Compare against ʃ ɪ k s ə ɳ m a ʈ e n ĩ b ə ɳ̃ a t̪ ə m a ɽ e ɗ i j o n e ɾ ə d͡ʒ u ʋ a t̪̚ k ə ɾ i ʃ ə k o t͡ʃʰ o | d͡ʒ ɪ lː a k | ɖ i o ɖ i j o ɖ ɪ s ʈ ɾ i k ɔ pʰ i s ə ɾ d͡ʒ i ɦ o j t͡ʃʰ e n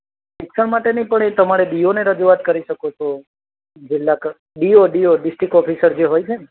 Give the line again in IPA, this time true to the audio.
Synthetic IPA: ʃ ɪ k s ə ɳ m a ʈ e n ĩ p ə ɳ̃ e t̪ ə m a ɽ e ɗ i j o n e ɾ ə d͡ʒ u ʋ a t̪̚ k ə ɾ i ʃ ə k o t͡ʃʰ o | d͡ʒ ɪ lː a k | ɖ i o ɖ i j o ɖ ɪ s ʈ ɾ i k ɔ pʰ i s ə ɾ d͡ʒ e ɦ o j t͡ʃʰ e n